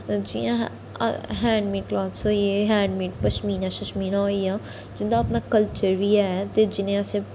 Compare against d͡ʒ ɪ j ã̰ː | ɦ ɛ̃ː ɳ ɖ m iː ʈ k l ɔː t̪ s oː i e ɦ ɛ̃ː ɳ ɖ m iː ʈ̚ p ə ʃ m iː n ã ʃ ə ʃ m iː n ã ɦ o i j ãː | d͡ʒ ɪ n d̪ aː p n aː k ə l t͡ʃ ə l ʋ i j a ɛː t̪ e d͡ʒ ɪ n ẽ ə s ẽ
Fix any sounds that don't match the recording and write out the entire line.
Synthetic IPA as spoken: d͡ʒ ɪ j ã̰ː | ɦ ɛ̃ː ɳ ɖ m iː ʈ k l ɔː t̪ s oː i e ɦ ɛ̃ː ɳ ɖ m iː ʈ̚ p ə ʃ m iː n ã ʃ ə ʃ m iː n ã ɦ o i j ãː | d͡ʒ ɪ n d̪ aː p n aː k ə l t͡ʃ ə ɾ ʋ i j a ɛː t̪ e d͡ʒ ɪ n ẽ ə s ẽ